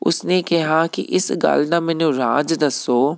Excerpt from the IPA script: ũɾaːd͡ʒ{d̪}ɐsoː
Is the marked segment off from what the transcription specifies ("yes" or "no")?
no